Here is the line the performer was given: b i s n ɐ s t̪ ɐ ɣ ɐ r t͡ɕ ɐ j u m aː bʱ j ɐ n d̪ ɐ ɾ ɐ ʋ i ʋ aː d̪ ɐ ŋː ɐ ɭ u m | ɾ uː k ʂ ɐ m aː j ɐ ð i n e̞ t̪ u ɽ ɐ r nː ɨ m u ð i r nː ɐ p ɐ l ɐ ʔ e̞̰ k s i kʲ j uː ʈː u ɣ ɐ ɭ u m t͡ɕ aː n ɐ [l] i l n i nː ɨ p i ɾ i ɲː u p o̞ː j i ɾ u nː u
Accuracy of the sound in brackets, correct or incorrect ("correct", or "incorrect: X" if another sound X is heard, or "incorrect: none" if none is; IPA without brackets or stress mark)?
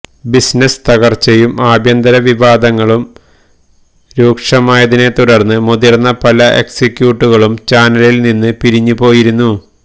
correct